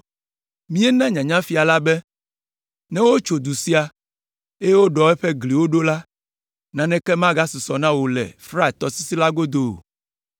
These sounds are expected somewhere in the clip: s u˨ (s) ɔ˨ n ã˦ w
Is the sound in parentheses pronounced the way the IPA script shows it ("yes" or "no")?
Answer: yes